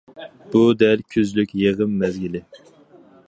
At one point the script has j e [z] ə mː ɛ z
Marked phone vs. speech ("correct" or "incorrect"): incorrect